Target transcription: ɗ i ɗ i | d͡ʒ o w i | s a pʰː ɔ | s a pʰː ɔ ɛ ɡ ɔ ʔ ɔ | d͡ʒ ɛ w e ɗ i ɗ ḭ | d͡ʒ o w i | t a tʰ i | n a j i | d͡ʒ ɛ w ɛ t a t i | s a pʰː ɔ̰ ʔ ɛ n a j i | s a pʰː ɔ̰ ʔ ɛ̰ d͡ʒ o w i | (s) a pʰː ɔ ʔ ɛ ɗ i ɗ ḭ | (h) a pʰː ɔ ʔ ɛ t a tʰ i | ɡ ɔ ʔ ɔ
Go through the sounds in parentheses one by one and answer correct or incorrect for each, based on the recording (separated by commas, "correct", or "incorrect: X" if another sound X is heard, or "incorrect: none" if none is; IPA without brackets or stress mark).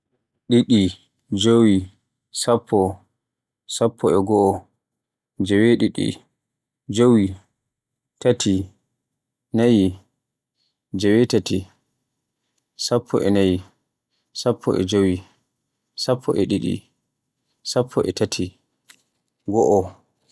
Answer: correct, incorrect: s